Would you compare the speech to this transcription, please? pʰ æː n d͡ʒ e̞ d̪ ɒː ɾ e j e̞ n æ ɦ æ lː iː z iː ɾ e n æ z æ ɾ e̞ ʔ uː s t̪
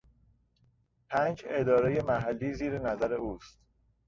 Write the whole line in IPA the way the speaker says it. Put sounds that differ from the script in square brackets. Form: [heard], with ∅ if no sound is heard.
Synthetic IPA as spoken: pʰ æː n d͡ʒ e̞ d̪ ɒː ɾ e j e̞ [m] æ ɦ æ lː iː z iː ɾ e n æ z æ ɾ e̞ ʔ uː s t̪